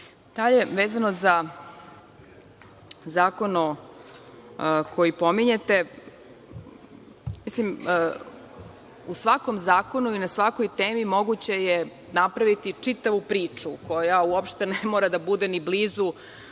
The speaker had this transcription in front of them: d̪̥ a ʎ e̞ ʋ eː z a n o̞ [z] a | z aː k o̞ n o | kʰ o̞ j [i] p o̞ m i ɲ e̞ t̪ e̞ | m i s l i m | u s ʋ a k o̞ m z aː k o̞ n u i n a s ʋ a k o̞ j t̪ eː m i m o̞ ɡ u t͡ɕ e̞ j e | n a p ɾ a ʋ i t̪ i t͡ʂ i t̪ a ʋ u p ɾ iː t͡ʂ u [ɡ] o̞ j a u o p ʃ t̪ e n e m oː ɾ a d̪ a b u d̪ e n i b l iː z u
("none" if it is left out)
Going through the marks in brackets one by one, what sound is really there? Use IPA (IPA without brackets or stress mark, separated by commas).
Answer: z, i, k